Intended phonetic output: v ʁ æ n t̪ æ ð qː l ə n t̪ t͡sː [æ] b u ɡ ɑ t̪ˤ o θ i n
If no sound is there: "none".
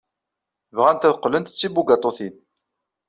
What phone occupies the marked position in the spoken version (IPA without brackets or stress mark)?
i